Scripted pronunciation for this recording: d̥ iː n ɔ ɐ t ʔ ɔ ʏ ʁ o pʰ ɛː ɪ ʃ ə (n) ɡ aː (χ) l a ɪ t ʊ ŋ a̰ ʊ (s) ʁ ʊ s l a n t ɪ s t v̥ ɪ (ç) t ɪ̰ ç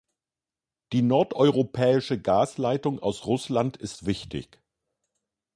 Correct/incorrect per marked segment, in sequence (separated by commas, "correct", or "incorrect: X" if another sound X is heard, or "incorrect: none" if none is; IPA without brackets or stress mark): incorrect: none, incorrect: s, correct, correct